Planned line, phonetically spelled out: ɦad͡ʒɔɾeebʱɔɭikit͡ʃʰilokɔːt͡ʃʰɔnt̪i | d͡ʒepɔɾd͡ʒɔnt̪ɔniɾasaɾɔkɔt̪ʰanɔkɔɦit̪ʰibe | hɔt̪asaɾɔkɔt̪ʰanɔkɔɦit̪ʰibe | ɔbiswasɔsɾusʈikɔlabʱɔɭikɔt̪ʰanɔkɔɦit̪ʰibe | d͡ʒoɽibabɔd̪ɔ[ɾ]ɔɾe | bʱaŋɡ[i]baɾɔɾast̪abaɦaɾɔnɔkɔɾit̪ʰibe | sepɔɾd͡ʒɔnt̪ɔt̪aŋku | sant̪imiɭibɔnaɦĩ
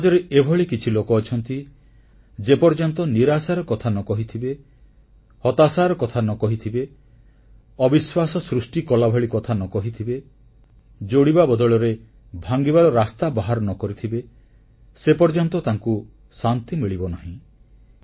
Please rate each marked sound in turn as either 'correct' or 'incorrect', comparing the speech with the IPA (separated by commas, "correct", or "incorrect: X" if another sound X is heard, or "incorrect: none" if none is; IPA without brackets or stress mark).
incorrect: ɭ, correct